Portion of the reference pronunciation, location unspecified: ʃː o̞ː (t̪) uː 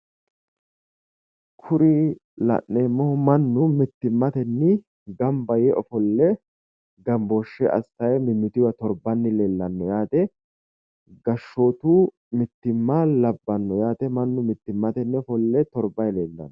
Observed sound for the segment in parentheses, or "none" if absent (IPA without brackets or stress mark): t̪